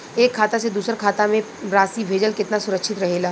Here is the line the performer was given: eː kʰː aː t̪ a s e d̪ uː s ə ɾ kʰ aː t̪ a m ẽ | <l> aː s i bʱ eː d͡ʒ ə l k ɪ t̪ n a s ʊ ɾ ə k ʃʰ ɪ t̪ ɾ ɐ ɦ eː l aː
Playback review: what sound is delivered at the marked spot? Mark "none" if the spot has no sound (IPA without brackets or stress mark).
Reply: ɾ